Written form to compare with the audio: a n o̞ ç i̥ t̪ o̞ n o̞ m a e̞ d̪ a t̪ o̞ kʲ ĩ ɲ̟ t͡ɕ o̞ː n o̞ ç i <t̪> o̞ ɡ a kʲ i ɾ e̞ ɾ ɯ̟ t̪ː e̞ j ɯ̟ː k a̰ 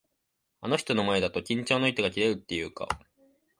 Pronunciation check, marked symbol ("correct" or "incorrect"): correct